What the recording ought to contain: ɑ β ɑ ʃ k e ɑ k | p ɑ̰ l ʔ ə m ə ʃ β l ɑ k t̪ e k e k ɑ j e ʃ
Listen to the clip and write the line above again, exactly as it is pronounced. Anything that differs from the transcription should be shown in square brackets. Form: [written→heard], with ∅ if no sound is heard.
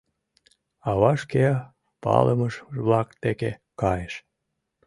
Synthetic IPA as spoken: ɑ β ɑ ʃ k e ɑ [k→∅] | p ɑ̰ l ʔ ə m ə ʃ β l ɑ k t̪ e k e k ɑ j e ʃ